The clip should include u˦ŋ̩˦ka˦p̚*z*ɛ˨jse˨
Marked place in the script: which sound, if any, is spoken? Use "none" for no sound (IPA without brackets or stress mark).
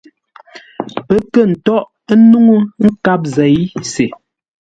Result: z